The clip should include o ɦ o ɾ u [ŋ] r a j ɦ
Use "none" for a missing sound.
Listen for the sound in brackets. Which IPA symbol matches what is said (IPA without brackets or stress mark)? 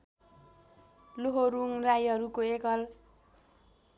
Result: ŋ